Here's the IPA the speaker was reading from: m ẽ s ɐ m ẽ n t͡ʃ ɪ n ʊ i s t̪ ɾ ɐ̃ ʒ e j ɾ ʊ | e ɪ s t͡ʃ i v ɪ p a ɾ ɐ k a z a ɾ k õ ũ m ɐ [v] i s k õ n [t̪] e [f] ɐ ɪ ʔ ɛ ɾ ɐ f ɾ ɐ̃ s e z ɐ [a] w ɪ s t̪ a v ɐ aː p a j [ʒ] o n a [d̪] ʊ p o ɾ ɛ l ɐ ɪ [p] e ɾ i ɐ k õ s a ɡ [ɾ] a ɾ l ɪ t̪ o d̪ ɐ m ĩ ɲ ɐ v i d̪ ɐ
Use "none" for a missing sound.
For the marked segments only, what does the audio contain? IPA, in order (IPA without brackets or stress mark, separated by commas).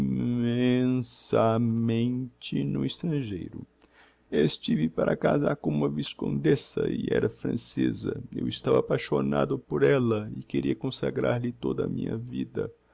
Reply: v, d̪, s, e, ʃ, d̪, k, ɾ